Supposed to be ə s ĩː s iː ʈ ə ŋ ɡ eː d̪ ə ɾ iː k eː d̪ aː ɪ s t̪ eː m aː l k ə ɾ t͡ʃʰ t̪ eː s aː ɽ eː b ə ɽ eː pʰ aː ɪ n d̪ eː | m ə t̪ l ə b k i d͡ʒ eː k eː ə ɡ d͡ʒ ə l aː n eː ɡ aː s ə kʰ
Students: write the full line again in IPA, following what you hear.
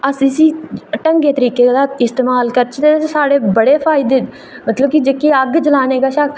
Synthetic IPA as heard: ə s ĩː s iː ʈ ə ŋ ɡ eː t̪ ə ɾ iː k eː d̪ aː ɪ s t̪ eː m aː l k ə ɾ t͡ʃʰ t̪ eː s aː ɽ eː b ə ɽ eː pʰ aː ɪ d̪ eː | m ə t̪ l ə b k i d͡ʒ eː k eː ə ɡ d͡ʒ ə l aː n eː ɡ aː ʃ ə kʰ